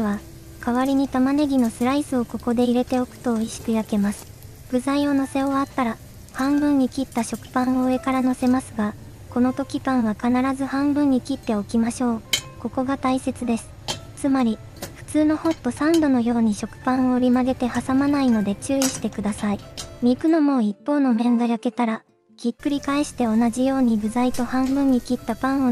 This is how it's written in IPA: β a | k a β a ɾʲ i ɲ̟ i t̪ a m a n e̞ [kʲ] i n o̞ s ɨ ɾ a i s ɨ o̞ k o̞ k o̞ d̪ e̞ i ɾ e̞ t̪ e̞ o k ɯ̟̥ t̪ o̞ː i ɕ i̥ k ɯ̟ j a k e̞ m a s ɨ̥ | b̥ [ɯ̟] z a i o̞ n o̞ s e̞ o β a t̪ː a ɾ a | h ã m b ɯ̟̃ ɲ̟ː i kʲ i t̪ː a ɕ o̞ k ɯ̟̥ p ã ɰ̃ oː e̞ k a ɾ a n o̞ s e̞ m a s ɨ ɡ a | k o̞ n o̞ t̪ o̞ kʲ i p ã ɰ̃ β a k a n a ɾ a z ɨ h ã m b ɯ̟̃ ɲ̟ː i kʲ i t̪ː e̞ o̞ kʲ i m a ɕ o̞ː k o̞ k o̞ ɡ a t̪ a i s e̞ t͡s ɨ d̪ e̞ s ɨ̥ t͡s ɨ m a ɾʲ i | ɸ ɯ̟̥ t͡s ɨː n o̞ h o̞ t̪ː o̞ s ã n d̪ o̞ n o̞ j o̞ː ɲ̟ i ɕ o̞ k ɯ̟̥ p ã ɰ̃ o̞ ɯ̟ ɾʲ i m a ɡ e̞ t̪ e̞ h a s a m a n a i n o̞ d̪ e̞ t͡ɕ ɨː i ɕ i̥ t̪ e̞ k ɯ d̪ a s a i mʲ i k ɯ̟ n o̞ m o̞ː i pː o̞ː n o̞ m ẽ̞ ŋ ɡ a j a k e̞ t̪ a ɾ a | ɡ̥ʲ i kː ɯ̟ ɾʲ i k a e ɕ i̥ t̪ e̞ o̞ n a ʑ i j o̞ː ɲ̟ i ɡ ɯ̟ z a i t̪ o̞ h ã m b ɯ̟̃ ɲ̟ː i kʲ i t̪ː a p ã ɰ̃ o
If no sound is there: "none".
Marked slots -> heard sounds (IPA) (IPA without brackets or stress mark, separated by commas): ɡʲ, ɯ̟